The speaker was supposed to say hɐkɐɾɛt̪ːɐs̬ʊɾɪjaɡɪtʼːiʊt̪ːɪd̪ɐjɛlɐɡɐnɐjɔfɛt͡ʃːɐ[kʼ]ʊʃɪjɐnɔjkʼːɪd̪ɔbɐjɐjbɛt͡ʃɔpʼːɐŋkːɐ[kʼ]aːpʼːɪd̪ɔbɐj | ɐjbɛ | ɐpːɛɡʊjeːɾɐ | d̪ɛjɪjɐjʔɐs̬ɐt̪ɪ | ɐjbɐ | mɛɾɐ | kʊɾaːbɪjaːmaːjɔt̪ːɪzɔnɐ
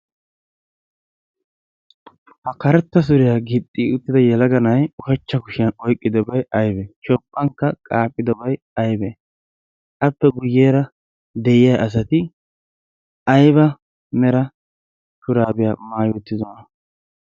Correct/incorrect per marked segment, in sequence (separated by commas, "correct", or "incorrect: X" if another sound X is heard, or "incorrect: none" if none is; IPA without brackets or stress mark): incorrect: k, correct